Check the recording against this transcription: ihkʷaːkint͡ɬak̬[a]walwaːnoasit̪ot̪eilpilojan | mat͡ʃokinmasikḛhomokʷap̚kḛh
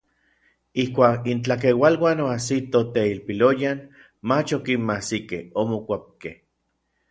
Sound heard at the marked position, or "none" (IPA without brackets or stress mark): e